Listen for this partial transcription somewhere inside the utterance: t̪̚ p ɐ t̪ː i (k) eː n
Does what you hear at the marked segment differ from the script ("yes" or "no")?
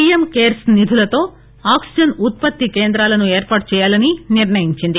no